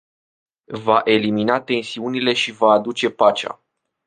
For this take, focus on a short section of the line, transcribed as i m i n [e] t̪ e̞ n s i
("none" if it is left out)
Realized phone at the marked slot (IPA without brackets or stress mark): a